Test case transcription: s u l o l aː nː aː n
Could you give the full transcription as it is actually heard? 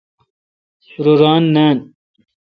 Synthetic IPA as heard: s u ɾ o ɾ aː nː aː n